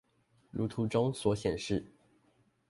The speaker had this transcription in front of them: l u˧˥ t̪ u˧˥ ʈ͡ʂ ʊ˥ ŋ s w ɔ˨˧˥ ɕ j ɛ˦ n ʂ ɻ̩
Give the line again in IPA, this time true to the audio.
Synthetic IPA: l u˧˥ t̪ʰ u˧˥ ʈ͡ʂ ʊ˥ ŋ s w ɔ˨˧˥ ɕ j ɛ˨˩ n ʂ ɻ̩